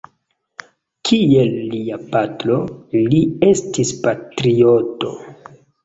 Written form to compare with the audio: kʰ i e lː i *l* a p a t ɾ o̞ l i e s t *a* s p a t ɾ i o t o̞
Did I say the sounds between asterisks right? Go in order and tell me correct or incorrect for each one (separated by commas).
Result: incorrect, incorrect